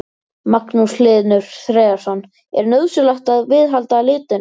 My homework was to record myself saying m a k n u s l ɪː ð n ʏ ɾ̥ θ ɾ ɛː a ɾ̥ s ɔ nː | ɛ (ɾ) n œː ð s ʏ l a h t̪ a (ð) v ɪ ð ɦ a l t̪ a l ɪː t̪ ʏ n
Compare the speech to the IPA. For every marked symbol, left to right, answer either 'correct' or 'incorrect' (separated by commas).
correct, correct